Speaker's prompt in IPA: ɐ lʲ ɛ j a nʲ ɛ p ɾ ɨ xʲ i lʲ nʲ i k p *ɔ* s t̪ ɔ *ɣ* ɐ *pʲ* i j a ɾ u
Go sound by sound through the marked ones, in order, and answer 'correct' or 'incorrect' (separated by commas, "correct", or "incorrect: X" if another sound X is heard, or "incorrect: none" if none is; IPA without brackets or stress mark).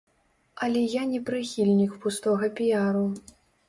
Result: incorrect: u, correct, correct